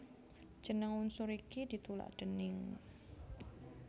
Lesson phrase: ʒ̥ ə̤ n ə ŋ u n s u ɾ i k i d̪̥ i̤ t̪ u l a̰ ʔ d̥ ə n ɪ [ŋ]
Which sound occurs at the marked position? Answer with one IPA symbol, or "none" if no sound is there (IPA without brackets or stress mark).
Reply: ŋ